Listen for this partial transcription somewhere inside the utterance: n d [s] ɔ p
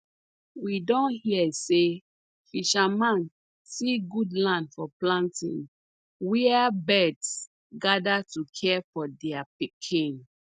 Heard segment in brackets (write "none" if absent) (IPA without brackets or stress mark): f